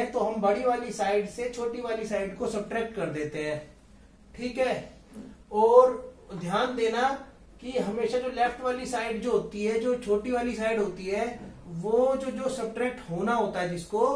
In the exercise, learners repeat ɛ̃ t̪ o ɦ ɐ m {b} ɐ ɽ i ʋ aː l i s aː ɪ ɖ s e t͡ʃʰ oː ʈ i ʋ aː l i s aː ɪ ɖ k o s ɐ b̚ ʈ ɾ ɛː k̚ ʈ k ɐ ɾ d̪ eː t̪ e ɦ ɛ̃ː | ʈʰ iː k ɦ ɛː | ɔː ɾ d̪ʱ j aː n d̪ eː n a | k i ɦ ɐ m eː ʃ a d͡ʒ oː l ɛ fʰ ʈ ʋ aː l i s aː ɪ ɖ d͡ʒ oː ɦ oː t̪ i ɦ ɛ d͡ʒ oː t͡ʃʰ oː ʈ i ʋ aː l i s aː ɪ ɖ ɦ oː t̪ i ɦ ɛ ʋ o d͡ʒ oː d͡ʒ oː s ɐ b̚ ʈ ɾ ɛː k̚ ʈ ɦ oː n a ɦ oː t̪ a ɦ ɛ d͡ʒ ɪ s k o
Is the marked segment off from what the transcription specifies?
no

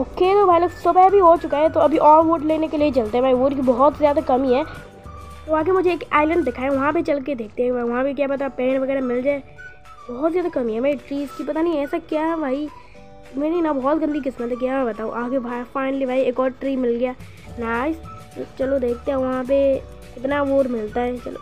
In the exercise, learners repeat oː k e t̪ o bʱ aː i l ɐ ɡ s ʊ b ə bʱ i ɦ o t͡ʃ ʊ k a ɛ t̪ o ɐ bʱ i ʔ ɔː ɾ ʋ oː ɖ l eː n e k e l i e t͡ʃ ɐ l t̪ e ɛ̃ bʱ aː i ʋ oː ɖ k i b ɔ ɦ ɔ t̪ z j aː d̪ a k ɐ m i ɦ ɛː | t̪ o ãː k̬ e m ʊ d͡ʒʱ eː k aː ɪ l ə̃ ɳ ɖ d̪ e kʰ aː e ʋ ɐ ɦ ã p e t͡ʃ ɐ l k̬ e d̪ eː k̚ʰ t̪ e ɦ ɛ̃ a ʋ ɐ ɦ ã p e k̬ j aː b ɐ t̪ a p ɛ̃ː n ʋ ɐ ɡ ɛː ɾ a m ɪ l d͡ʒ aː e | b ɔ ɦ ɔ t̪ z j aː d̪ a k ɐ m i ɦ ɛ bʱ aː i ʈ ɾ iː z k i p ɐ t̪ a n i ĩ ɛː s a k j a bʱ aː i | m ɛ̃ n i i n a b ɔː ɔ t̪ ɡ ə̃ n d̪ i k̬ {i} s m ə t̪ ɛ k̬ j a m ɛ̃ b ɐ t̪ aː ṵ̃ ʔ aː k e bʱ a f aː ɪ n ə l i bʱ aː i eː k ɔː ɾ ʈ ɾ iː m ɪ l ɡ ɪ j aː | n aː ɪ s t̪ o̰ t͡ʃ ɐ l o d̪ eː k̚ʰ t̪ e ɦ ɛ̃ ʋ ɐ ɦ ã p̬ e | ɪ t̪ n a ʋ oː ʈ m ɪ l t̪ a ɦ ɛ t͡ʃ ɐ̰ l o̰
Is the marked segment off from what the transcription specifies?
yes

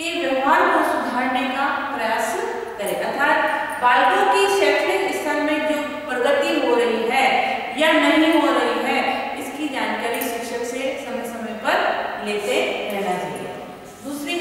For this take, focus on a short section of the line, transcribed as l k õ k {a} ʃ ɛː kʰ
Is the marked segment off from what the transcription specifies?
yes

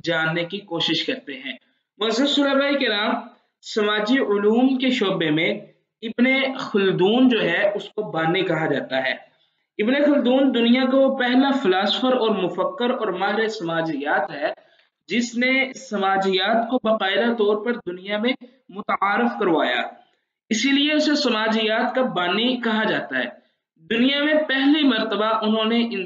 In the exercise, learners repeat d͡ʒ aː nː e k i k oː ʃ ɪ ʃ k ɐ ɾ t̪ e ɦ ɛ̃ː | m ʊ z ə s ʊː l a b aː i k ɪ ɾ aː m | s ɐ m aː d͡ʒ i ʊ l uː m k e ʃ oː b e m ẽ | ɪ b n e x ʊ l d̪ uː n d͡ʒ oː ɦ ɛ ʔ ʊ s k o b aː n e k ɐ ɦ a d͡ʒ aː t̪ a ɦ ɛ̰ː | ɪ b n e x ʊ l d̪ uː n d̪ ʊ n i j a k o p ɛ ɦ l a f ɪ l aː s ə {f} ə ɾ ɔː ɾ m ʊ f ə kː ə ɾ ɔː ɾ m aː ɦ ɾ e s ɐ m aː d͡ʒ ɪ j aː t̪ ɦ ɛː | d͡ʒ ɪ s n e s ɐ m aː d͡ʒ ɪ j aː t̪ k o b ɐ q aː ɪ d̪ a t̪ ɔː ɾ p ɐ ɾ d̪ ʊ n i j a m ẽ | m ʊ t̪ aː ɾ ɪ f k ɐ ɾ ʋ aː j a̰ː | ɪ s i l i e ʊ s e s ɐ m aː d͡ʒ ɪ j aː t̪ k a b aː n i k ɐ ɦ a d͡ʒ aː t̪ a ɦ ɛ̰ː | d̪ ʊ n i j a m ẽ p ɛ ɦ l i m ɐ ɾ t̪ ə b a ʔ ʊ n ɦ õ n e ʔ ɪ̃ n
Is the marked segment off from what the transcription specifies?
no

